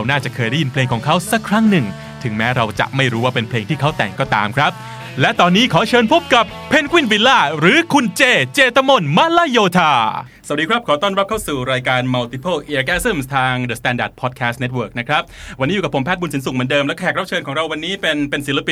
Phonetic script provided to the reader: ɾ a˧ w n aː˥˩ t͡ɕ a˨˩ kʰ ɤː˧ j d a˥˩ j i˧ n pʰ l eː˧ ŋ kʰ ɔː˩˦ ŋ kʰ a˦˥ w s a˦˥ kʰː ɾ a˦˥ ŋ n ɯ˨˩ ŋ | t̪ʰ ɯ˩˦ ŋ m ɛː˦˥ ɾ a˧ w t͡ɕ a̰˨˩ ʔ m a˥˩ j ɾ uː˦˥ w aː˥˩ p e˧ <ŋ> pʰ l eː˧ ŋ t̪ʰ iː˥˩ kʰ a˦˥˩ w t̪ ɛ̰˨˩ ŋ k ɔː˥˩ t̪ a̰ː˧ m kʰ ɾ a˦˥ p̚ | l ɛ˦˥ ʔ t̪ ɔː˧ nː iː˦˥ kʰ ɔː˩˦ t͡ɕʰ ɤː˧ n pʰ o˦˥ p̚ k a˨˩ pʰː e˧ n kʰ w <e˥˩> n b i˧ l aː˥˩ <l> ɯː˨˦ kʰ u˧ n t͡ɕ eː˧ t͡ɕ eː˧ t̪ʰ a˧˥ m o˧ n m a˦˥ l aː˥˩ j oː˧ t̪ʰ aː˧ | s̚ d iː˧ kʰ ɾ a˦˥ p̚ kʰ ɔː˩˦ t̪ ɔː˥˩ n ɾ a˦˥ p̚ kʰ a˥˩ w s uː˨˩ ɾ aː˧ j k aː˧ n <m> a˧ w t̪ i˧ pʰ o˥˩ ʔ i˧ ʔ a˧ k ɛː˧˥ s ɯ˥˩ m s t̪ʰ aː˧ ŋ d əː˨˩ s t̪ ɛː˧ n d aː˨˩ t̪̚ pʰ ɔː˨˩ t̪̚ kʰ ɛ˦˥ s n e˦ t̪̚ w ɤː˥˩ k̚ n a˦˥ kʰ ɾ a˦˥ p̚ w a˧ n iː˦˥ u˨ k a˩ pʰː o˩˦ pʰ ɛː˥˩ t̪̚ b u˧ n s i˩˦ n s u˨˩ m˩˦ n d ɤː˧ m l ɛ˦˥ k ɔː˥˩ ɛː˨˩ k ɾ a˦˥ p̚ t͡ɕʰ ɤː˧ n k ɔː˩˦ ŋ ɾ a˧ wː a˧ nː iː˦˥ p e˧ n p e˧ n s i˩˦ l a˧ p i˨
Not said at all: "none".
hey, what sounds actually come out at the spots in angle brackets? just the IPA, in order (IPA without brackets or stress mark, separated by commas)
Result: n, i˥˩, ɾ, m